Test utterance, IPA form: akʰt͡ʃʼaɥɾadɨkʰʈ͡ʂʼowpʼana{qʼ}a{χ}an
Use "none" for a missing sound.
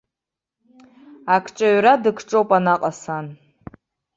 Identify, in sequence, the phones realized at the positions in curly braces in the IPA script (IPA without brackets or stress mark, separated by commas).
qʼ, s